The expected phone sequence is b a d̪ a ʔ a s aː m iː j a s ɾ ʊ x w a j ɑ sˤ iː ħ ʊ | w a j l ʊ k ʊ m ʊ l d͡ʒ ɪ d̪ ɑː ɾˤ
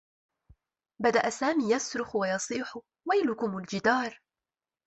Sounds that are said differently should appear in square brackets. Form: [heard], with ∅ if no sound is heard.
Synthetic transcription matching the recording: b a d̪ a ʔ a s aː m iː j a s ɾ ʊ x w a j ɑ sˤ iː ħ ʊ | w a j l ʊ k ʊ m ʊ l d͡ʒ ɪ d̪ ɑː ɾˤ